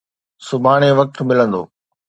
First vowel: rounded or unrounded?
rounded